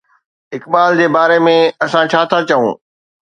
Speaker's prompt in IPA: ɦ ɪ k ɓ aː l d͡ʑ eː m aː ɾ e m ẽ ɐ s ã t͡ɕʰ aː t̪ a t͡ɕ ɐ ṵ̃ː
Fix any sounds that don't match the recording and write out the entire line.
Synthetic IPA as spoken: ɦ ɪ k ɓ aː l d͡ʑ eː b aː ɾ e m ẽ ɐ s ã t͡ɕʰ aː t̪ʰ a t͡ɕ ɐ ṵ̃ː